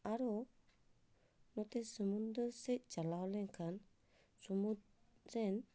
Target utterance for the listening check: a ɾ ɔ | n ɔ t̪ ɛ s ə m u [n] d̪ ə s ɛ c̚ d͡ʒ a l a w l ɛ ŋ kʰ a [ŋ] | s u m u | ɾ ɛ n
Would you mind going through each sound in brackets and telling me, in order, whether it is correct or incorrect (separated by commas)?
correct, incorrect